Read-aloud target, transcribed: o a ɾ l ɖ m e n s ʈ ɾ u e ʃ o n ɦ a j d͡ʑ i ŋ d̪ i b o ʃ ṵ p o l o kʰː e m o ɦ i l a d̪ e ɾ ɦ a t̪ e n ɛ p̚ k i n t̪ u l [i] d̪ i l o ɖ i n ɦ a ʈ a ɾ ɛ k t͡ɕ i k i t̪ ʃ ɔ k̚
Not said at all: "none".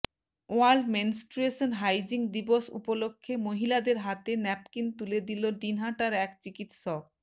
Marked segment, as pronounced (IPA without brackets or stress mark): e